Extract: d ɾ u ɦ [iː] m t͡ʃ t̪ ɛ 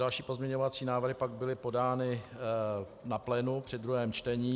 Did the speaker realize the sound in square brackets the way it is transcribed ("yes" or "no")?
no